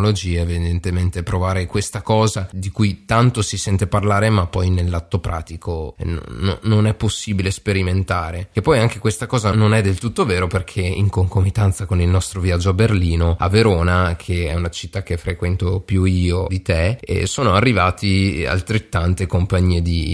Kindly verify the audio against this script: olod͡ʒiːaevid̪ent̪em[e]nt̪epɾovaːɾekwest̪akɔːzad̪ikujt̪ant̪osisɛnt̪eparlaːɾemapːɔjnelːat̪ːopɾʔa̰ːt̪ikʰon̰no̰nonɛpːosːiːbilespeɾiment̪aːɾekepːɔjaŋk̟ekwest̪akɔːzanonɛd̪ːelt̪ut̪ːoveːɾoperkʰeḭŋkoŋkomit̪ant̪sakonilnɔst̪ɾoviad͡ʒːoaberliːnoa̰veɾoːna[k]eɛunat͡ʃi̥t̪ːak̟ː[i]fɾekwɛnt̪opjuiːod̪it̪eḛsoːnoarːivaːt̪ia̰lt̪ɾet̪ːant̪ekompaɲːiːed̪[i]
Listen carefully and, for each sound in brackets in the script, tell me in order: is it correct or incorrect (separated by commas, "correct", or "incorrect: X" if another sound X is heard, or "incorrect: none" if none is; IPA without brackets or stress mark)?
correct, incorrect: kʰ, incorrect: e, correct